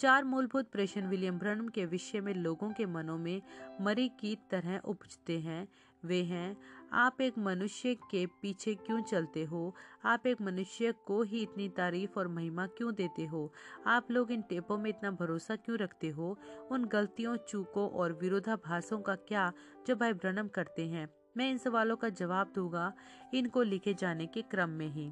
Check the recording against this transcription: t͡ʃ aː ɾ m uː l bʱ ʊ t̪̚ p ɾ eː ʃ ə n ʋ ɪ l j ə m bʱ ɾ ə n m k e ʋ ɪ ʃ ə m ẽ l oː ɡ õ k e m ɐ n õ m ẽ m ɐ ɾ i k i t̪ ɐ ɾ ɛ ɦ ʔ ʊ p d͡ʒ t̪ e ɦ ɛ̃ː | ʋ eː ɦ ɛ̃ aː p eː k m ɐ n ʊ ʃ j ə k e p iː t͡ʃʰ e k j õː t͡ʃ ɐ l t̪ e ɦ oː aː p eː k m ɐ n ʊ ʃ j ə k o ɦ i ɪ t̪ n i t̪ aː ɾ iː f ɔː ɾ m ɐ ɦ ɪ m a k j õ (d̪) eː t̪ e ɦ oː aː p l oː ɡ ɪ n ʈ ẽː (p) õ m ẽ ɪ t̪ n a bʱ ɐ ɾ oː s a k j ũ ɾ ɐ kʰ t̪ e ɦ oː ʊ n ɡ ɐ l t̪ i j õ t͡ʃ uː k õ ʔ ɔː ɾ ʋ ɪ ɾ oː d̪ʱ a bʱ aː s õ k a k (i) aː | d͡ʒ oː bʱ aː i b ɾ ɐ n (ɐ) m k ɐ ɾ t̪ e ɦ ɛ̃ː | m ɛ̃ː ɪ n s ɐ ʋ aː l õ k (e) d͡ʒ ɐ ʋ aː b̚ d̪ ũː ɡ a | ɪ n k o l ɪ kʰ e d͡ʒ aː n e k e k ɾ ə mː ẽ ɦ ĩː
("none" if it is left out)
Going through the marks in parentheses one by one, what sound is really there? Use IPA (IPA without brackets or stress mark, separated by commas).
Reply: d̪, p, j, ə, a